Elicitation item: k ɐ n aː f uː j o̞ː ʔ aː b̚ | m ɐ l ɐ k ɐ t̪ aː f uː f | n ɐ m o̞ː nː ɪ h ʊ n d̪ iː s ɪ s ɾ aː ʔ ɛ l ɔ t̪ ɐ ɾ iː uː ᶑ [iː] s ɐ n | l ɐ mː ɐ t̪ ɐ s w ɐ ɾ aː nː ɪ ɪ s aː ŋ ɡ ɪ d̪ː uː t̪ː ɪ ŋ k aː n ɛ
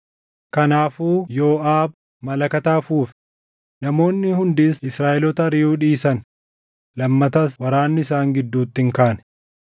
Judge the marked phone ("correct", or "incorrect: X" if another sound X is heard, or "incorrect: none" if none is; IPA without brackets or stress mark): correct